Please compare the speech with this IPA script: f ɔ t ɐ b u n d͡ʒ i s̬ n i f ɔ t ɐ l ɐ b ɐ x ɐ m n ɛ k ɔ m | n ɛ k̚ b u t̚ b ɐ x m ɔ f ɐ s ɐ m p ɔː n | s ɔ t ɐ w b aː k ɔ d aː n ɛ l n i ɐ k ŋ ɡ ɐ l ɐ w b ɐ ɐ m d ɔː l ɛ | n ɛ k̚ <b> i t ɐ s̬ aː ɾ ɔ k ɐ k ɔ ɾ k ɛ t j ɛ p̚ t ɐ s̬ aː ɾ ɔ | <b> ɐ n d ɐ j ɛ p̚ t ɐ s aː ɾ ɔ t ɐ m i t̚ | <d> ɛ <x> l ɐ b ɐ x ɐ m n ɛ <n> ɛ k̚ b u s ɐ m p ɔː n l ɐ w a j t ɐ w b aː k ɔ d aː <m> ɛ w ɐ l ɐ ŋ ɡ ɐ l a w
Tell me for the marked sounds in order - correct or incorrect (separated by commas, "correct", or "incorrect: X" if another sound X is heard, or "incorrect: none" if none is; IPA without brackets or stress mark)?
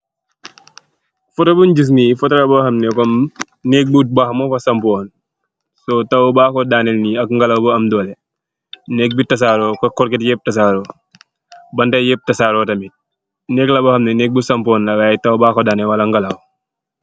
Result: correct, correct, incorrect: n, incorrect: k, correct, incorrect: n